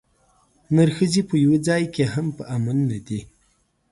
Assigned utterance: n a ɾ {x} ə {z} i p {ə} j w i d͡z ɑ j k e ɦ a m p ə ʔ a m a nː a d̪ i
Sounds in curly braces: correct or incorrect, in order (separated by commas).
correct, correct, correct